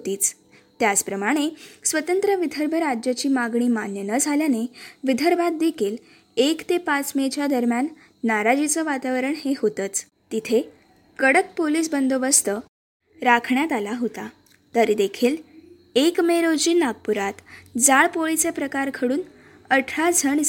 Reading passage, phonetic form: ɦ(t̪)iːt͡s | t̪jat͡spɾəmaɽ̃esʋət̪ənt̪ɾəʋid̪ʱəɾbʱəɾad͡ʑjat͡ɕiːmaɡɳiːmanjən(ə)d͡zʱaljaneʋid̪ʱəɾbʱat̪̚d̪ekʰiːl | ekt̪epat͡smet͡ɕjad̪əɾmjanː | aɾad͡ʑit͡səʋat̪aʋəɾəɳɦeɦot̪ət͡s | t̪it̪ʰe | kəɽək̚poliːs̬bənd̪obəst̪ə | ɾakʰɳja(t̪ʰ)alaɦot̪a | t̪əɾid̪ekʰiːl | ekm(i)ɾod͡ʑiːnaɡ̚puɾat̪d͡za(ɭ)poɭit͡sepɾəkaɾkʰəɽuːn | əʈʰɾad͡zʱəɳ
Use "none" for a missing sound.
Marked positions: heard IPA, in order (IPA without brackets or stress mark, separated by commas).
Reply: t̪, ə, t̪, e, ɭ